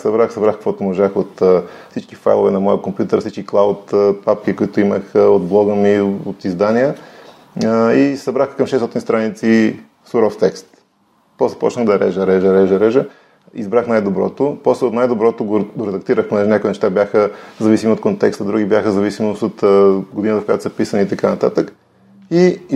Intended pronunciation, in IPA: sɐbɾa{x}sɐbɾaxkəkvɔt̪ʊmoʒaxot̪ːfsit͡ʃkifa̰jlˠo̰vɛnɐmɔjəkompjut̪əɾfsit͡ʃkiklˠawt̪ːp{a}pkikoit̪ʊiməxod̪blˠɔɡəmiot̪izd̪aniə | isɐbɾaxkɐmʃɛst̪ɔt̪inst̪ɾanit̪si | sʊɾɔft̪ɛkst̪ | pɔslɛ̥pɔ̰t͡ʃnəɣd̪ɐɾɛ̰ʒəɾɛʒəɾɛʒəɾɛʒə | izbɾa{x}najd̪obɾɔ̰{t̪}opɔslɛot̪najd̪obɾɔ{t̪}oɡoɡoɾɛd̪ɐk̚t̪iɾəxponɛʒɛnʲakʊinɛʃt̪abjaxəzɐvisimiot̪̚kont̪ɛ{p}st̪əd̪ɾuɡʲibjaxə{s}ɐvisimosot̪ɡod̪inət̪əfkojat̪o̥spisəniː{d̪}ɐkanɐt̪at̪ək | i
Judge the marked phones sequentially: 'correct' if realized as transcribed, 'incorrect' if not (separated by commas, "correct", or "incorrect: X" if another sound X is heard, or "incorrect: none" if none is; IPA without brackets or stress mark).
correct, correct, correct, correct, correct, incorrect: k, incorrect: z, incorrect: t̪